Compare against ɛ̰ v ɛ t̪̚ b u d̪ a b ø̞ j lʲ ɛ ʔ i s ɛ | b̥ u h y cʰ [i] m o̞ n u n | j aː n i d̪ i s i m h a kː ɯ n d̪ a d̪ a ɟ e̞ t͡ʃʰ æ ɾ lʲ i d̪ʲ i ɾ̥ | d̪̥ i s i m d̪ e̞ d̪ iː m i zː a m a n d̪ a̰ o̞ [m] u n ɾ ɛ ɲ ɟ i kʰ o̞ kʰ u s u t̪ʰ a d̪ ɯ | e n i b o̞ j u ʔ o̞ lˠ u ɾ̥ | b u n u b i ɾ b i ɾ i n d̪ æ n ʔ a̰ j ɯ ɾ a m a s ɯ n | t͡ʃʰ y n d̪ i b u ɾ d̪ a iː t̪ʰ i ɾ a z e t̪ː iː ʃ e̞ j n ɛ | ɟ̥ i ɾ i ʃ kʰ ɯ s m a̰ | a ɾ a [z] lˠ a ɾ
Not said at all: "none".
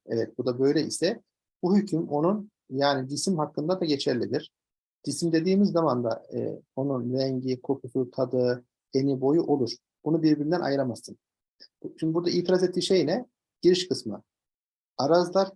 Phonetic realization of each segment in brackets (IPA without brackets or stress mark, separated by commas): y, n, z